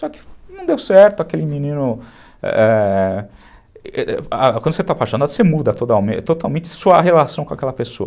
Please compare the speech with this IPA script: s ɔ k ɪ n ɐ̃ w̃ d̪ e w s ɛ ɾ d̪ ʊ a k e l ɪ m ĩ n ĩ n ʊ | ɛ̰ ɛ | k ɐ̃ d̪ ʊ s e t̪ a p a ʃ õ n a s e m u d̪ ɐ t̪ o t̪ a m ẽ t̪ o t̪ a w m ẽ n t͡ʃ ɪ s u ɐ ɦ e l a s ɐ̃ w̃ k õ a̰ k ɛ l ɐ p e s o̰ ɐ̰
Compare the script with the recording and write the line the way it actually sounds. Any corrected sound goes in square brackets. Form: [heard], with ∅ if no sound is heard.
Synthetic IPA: s ɔ k ɪ n ɐ̃ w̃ d̪ e w s ɛ ɾ [t̪] ʊ a k e l ɪ m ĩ n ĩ n ʊ | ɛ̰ ɛ | k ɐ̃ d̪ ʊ s e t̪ a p a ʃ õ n a s e m u d̪ ɐ t̪ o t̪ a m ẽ t̪ o t̪ a w m ẽ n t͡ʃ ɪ s u ɐ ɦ e l a s ɐ̃ w̃ k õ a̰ k ɛ l ɐ p e s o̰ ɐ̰